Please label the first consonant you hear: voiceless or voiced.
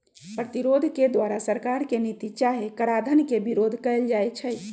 voiceless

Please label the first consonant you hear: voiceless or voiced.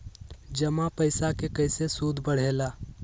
voiced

